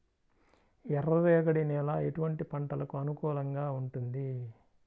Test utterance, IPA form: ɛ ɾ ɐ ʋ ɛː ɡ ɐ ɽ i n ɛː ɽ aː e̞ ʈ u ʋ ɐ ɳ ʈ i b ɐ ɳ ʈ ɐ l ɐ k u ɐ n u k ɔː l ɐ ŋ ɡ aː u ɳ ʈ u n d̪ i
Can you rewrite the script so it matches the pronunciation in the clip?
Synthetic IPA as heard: ɛ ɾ ɐ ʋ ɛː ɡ ɐ ɽ i n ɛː l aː e̞ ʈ u ʋ ɐ ɳ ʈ i p ɐ ɳ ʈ ɐ l ɐ k u ɐ n u k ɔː l ɐ ŋ ɡ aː u ɳ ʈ u n d̪ i